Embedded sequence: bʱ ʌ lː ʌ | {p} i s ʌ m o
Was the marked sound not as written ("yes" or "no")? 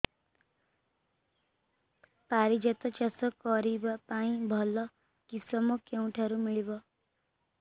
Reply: yes